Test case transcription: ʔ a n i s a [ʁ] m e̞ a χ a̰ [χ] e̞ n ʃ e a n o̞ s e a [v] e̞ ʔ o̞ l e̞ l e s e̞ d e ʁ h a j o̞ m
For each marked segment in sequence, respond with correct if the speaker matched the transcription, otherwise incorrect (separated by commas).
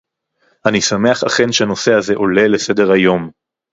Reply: incorrect, correct, incorrect